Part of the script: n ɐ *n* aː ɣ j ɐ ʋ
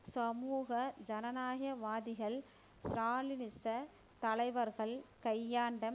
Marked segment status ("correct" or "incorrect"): correct